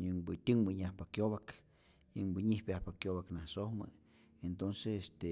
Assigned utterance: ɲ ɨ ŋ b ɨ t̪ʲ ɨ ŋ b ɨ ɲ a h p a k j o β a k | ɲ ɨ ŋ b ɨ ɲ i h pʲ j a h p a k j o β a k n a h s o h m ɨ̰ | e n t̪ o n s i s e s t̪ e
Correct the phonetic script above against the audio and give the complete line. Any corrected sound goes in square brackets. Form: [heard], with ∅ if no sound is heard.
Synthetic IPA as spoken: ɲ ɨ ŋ b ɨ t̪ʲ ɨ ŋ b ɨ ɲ a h p a k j o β a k | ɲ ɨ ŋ b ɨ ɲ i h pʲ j a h p a k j o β a k n a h s o h m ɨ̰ | e n t̪ o n s [e] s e s t̪ e